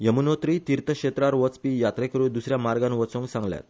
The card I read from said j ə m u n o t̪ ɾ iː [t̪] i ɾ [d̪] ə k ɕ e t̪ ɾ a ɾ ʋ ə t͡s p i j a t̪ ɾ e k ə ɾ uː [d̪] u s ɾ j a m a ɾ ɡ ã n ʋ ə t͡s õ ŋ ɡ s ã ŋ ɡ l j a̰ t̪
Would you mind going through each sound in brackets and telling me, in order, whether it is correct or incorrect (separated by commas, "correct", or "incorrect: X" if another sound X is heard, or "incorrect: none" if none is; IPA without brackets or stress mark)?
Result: correct, incorrect: t̪, correct